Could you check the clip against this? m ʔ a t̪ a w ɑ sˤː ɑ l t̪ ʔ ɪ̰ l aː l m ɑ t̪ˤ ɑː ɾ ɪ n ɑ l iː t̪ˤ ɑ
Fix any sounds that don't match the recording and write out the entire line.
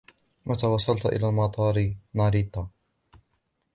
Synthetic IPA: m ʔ a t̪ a w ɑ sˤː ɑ l t̪ ʔ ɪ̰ l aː l m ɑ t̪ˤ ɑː ɾ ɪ n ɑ ɾ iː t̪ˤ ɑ